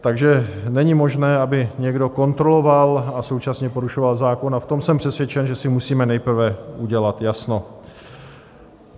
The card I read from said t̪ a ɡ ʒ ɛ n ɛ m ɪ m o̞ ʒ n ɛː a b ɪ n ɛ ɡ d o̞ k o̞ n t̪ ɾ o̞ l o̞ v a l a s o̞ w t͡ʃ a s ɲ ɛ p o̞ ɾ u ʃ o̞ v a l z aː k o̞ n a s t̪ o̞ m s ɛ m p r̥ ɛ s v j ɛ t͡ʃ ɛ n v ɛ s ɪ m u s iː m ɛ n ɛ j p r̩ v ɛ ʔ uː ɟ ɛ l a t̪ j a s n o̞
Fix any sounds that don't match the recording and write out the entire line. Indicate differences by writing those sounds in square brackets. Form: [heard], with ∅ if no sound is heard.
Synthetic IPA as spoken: t̪ a ɡ ʒ ɛ n ɛ [ɲ] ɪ m o̞ ʒ n ɛː a b ɪ [ɲ] ɛ ɡ d o̞ k o̞ n t̪ ɾ o̞ l o̞ v a l a s o̞ w t͡ʃ a s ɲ ɛ p o̞ ɾ u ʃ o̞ v a l z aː k o̞ n a [f] t̪ o̞ m s ɛ m p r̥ ɛ s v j ɛ t͡ʃ ɛ n [ʒ] ɛ s ɪ m u s iː m ɛ n ɛ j p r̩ v ɛ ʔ [u] ɟ ɛ l a t̪ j a s n o̞